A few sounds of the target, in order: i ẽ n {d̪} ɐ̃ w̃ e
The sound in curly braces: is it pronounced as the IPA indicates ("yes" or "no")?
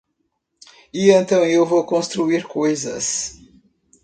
no